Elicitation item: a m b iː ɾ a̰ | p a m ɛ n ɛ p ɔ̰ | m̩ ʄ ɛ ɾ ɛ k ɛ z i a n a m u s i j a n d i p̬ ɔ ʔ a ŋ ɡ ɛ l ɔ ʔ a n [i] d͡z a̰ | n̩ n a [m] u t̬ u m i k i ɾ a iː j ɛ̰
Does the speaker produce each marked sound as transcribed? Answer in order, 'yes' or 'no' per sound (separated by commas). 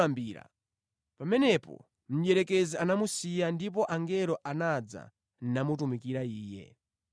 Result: no, yes